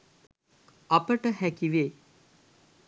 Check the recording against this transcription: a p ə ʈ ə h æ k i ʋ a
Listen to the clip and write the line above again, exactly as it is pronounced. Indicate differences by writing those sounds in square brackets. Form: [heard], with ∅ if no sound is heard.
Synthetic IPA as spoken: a p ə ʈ ə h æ k i ʋ [e]